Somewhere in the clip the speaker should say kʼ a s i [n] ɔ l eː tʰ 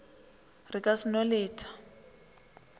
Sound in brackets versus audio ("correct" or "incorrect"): correct